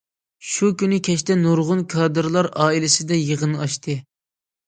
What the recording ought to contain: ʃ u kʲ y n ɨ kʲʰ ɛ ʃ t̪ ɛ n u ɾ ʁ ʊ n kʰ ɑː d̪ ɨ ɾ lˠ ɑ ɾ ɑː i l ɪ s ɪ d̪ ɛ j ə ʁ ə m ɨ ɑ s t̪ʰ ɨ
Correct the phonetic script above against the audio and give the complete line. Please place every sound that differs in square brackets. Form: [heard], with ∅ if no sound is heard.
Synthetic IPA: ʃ u kʲ y n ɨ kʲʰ ɛ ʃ t̪ ɛ n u ɾ ʁ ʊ n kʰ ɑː d̪ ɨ ɾ lˠ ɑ ɾ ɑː i l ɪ s ɪ d̪ ɛ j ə ʁ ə [n] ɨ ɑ [ʃ] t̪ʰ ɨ